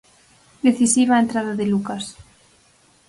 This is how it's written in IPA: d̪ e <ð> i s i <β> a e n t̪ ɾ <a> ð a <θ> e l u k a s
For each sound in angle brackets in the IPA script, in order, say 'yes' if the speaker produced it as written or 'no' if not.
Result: no, yes, yes, no

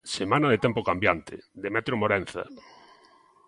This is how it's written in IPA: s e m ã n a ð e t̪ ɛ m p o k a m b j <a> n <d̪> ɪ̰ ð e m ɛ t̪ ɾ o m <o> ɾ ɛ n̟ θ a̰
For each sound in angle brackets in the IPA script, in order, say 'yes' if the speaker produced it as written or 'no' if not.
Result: yes, no, yes

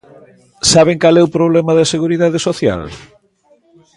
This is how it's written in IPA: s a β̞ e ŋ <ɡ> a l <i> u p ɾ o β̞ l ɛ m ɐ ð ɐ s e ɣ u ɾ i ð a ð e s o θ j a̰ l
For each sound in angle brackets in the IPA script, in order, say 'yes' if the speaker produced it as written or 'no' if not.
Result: no, no

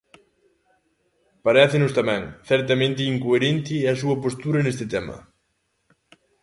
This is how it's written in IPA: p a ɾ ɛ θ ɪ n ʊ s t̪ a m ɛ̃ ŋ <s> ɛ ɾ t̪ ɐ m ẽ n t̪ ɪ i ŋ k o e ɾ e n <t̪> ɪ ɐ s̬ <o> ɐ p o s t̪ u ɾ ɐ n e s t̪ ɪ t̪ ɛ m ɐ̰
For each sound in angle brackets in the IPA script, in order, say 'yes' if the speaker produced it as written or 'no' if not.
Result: no, yes, no

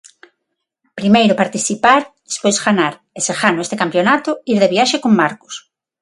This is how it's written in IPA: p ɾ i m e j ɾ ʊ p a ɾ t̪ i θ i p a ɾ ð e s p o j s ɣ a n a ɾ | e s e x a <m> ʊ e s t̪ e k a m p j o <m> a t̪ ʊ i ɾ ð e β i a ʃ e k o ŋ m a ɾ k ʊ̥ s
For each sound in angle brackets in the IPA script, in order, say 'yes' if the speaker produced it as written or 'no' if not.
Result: no, no

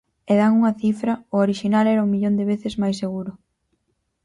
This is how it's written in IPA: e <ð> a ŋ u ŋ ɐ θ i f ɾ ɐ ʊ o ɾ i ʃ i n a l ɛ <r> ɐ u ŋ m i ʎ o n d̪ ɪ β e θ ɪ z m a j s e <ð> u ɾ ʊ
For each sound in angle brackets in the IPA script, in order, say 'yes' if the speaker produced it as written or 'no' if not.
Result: yes, no, no

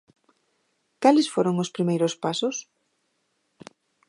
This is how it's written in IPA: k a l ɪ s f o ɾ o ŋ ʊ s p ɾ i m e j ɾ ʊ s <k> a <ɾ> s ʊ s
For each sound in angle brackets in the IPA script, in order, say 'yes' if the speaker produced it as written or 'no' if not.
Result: no, no

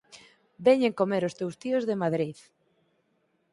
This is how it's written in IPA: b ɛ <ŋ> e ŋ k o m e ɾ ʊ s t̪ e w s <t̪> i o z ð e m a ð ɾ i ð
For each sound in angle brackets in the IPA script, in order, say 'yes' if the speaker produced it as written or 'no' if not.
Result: no, yes

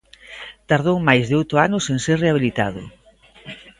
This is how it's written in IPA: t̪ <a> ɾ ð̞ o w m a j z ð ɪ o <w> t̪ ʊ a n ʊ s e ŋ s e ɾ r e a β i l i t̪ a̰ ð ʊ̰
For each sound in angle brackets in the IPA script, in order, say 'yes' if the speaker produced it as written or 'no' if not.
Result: yes, yes

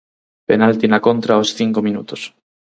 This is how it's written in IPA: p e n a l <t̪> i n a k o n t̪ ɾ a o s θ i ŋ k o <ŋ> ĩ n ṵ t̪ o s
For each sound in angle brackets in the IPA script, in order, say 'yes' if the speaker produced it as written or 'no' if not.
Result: yes, no

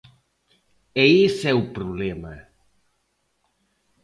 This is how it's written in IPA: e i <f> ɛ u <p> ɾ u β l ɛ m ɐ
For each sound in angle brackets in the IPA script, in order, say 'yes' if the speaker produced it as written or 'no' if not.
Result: no, yes

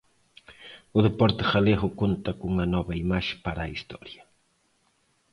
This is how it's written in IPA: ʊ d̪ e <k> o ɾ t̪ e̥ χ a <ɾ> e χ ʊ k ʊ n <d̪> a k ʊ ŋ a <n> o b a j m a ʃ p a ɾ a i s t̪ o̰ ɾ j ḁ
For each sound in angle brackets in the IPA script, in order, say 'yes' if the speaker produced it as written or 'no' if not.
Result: no, no, no, yes

